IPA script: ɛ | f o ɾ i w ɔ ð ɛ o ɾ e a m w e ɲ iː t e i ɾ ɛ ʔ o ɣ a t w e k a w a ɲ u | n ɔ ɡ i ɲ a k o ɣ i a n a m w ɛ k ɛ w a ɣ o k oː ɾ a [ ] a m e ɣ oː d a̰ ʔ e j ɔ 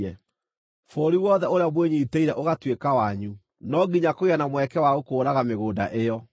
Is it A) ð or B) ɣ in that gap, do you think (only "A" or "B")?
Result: B